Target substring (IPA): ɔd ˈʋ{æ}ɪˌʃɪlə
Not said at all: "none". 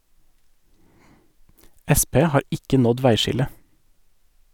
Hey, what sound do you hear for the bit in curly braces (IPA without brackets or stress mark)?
æ